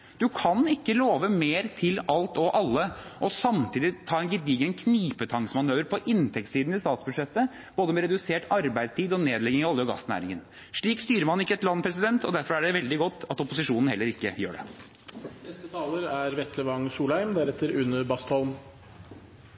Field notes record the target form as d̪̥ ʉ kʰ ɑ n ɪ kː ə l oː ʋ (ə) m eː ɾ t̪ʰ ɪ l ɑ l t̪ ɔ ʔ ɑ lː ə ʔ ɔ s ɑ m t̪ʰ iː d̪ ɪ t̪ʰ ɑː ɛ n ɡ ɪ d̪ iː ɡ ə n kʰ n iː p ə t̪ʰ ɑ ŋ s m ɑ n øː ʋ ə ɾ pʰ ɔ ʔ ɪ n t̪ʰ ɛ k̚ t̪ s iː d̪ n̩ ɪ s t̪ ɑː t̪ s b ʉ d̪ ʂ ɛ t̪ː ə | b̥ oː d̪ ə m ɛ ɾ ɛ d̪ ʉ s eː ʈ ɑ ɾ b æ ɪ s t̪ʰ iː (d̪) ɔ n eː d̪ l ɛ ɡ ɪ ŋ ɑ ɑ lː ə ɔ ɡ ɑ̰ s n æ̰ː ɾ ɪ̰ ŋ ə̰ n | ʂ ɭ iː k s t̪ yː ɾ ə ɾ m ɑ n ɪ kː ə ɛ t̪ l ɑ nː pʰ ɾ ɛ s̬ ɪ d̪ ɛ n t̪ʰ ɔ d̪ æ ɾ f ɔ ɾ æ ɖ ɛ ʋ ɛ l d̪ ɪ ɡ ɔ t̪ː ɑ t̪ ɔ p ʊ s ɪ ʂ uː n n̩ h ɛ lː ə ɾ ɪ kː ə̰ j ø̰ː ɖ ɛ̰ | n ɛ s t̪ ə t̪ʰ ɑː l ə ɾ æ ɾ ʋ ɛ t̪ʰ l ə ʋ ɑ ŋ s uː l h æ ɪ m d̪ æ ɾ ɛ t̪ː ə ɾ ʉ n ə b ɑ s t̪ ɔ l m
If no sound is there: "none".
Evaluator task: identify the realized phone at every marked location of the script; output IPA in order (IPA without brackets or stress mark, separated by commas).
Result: ə, d̪